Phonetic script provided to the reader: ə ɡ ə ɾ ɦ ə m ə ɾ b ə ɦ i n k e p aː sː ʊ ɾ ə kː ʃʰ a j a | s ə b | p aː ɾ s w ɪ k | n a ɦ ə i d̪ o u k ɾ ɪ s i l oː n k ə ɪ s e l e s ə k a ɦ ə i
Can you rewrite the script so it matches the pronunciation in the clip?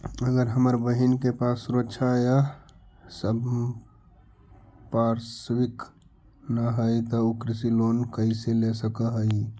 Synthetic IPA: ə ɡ ə ɾ ɦ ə m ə ɾ b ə ɦ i n k e p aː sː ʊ ɾ ə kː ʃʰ a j a | s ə b | p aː ɾ s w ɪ k | n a ɦ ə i t̪ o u k ɾ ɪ s i l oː n k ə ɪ s e l e s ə k a ɦ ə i

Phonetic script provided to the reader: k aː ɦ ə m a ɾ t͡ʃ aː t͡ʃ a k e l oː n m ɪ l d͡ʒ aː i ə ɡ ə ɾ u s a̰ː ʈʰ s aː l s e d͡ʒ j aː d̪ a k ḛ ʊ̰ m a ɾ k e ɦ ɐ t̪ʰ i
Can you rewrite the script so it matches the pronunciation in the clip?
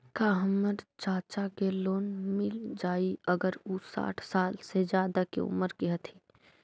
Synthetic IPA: k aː ɦ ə m ə ɾ t͡ʃ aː t͡ʃ a k e l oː n m ɪ l d͡ʒ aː i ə ɡ ə ɾ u s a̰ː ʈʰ s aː l s e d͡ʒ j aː d̪ a k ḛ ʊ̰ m ə ɾ k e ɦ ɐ t̪ʰ i

